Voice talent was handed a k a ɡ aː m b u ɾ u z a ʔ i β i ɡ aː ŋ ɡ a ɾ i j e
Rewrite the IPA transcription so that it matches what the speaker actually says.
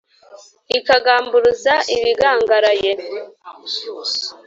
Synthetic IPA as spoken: i k a ɡ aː m b u ɾ u z a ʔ i β i ɡ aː ŋ ɡ a ɾ a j e

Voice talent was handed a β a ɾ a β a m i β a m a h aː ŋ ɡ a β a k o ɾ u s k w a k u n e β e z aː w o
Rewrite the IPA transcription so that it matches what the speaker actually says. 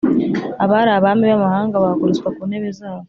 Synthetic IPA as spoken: a β a ɾ a β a m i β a m a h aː ŋ ɡ a β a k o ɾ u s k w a k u n e β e z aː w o

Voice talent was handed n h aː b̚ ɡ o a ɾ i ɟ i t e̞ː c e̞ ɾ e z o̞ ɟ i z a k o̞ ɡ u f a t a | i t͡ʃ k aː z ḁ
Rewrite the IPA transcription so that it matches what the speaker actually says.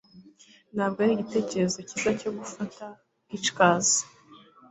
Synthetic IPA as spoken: n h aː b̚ ɡ o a ɾ i ɟ i t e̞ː c e̞ ɾ e z o̞ c i z a c o̞ ɡ u f a t a | i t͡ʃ k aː z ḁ

